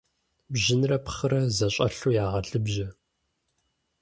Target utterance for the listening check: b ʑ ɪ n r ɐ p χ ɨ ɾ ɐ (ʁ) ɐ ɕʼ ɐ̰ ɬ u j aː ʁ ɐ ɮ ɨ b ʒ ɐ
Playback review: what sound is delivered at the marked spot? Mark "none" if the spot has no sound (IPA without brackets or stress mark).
z